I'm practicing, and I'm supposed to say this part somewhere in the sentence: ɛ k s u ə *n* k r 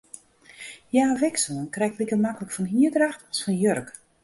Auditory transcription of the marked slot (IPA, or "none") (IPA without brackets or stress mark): n